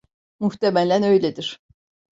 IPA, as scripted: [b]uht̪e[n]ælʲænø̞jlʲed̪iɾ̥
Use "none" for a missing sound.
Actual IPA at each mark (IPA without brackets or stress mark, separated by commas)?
m, m